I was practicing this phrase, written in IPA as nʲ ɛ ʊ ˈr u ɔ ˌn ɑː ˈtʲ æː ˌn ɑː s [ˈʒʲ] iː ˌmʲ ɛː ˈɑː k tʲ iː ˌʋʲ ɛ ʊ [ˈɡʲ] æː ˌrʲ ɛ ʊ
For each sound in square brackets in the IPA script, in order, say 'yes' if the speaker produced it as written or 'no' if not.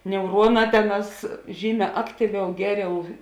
yes, yes

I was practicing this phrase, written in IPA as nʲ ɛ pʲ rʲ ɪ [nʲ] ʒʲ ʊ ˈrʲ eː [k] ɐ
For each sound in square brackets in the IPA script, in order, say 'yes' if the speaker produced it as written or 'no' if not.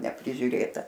no, no

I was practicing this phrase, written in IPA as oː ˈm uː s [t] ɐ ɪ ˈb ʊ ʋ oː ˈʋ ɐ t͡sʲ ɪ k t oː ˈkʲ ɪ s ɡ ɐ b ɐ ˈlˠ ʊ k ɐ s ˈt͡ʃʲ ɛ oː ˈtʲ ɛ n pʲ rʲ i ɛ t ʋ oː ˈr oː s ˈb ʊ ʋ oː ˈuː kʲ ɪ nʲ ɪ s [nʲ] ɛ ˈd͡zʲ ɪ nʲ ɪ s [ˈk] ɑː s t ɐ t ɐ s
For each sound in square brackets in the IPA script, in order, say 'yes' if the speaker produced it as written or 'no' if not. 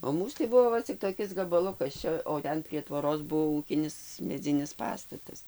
yes, no, no

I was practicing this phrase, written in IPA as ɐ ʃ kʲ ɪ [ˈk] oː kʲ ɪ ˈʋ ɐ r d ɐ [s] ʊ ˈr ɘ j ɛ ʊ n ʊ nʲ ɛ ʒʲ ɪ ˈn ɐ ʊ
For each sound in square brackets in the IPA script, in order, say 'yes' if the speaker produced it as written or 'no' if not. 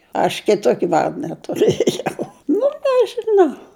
no, no

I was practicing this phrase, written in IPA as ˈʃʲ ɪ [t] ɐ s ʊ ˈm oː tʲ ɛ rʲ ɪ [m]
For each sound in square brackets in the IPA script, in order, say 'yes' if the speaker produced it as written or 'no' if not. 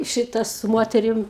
yes, yes

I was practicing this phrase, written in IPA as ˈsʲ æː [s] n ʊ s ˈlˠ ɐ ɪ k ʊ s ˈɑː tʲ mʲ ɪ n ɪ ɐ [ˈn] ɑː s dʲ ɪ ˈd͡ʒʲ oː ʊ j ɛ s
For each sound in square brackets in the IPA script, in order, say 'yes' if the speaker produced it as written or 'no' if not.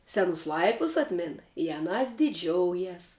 no, yes

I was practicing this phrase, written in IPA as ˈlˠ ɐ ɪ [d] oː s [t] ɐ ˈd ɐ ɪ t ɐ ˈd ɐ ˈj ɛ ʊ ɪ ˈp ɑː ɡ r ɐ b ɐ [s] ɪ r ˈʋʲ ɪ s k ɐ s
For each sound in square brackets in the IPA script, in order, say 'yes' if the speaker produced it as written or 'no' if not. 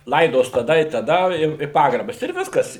yes, yes, yes

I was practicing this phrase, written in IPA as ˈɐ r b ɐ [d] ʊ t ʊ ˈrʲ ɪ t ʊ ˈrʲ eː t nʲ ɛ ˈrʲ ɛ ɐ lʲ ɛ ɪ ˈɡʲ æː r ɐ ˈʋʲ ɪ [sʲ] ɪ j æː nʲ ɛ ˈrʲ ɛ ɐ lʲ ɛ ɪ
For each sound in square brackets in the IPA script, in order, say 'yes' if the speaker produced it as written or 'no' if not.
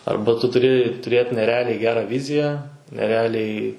no, no

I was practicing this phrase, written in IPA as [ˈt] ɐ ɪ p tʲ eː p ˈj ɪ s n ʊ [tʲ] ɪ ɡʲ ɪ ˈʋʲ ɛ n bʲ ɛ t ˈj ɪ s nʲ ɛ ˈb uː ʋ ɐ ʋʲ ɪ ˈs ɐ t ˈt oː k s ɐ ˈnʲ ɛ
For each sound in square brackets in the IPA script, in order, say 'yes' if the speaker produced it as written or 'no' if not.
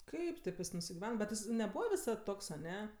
no, no

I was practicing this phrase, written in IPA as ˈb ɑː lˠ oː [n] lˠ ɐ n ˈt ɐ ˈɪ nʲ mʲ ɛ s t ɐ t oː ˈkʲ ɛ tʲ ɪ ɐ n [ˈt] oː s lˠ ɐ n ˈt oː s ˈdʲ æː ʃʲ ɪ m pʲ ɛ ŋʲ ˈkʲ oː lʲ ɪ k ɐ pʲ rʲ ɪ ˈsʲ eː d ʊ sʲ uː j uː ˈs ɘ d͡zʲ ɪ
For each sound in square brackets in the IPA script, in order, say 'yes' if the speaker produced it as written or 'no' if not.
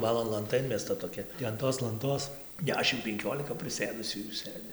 yes, yes

